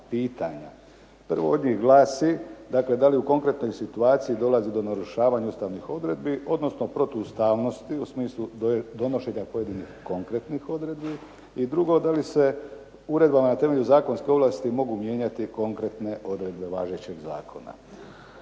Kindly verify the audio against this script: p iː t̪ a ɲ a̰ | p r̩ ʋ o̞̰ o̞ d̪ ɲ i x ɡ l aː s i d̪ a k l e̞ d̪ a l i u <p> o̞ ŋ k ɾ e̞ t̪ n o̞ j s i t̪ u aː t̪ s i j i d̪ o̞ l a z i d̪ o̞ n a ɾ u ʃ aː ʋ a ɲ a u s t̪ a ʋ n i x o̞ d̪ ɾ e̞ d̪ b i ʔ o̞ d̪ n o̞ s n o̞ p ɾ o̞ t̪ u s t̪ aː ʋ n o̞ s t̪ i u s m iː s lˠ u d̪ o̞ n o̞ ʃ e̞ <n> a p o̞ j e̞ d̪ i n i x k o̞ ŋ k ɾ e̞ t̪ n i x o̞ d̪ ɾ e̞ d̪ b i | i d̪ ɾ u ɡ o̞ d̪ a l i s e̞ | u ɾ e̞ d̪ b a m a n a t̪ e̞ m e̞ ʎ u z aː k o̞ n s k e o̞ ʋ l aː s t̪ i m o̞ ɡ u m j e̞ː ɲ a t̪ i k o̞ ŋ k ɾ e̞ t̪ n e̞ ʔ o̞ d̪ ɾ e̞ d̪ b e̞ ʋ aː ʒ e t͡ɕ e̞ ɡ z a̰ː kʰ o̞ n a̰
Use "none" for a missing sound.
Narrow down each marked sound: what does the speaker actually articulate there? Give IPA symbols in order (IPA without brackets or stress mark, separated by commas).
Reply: k, ɲ